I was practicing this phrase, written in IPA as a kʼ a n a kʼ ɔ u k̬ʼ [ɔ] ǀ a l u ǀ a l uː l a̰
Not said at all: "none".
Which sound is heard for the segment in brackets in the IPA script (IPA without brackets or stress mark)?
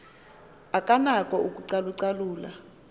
u